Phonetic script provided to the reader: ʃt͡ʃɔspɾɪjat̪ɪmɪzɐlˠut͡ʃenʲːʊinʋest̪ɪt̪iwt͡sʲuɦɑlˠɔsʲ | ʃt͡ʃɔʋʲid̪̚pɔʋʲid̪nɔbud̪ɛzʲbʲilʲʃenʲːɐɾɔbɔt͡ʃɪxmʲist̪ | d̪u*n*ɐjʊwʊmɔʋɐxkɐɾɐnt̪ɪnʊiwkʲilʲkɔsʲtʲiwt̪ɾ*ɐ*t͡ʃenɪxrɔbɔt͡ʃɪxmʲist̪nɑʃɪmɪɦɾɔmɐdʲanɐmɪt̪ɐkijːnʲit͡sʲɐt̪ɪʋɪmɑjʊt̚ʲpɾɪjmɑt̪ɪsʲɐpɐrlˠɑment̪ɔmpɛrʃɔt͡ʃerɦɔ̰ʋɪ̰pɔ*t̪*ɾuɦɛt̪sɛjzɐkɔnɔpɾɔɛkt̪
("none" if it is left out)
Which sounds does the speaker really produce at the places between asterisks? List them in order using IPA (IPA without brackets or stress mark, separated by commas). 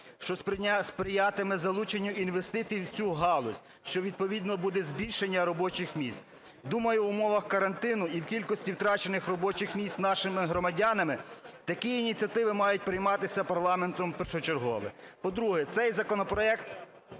m, ɑ, d̪